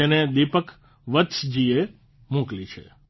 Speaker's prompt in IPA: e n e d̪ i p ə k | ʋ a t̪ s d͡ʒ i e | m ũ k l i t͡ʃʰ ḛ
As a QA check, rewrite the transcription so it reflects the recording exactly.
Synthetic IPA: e n e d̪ i p ə k | ʋ ə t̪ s d͡ʒ i e | m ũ k l i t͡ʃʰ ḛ